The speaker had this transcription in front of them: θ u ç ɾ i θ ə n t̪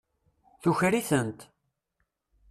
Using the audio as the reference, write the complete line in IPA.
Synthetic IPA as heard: θ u ç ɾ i θ ə n t̪